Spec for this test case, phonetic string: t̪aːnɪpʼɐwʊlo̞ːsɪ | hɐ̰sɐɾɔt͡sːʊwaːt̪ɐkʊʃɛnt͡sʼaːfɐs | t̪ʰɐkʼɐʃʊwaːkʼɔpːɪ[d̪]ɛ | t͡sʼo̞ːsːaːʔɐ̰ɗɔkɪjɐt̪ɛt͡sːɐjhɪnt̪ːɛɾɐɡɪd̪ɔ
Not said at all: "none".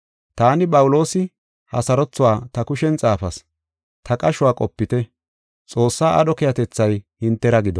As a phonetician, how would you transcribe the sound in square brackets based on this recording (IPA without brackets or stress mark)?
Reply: t̪